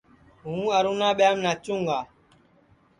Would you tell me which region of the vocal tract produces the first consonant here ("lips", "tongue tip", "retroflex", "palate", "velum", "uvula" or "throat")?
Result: throat